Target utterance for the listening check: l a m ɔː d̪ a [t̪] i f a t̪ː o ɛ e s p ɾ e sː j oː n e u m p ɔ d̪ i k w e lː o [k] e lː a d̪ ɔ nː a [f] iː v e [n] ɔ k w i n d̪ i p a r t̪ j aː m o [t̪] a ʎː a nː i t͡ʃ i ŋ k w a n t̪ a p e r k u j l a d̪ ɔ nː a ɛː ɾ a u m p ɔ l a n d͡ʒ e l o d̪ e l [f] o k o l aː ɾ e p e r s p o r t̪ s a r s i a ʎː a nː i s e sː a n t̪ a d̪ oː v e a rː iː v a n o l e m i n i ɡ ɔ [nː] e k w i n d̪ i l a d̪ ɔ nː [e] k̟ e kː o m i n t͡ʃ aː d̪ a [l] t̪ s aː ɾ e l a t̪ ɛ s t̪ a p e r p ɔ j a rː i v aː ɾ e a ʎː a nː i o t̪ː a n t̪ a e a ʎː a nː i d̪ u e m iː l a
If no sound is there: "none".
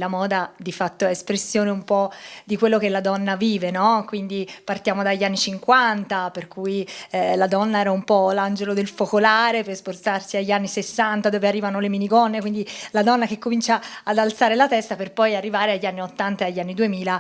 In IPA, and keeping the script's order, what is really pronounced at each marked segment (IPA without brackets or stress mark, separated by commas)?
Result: d̪, k, v, n, d̪, f, nː, a, l